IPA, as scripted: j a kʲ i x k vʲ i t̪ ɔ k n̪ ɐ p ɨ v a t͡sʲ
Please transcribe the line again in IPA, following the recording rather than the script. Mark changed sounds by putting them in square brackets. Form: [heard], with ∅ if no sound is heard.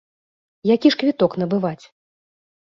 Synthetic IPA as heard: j a kʲ i [ʂ] k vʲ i t̪ ɔ k n̪ ɐ [b] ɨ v a t͡sʲ